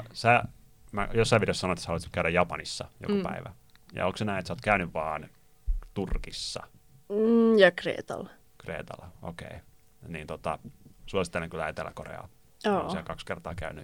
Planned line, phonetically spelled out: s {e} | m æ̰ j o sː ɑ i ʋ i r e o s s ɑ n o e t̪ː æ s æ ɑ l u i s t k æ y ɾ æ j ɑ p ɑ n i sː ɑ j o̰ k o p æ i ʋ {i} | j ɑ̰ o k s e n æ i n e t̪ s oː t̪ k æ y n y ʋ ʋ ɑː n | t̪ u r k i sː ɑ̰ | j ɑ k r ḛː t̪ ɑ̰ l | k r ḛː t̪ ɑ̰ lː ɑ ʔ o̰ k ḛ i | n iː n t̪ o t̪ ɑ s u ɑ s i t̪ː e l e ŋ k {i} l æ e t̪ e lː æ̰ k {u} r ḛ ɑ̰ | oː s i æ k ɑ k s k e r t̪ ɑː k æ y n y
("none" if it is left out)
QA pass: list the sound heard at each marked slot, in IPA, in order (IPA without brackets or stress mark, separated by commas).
æ, æ, y, o